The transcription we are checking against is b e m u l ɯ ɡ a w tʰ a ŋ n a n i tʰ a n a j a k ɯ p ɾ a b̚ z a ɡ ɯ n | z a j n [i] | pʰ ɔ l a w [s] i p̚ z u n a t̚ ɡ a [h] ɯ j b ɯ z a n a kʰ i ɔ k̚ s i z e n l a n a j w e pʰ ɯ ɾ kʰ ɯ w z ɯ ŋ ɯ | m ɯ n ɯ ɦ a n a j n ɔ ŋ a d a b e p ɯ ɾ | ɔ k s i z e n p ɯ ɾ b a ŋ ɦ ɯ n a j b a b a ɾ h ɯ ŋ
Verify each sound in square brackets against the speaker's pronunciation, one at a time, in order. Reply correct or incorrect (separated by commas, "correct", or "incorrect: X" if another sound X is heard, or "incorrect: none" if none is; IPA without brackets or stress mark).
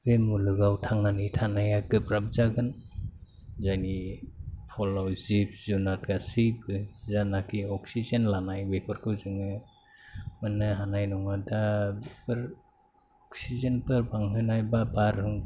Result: correct, incorrect: z, incorrect: s